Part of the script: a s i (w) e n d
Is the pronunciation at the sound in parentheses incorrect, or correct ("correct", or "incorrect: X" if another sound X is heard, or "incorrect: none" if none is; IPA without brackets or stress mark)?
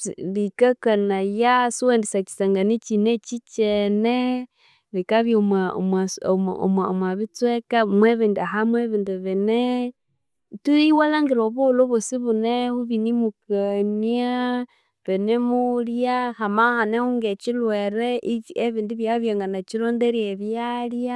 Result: correct